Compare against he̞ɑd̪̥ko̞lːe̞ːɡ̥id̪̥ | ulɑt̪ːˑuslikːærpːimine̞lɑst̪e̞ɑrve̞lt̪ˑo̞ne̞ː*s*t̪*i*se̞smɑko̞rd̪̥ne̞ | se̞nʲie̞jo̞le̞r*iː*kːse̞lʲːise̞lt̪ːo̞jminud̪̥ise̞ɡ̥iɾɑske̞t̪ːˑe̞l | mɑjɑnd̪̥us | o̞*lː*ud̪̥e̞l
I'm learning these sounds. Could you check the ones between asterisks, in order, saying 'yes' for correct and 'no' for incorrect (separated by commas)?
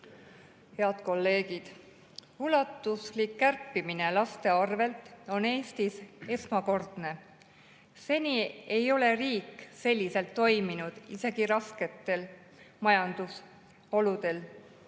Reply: yes, yes, yes, no